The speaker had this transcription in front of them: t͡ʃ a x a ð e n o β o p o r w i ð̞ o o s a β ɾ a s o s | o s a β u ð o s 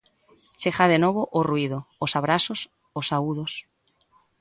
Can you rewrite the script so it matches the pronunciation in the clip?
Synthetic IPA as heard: t͡ʃ e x a ð e n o β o ʔ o r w i ð̞ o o s a β ɾ a s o s | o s a u ð o s